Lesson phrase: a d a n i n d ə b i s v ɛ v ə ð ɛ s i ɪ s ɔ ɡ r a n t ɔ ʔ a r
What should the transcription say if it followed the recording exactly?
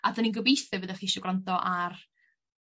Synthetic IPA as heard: a d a n i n ɡ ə b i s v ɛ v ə ð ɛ χ i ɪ ʃ ɔ ɡ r a n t ɔ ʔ a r